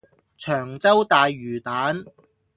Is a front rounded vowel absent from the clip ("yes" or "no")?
no